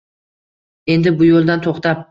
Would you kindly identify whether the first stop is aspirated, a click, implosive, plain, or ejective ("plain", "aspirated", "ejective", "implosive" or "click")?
plain